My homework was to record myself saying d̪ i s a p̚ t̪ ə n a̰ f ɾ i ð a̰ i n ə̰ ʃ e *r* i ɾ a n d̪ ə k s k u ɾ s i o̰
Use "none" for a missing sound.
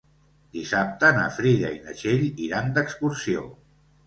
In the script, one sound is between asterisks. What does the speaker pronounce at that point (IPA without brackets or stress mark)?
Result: ʎ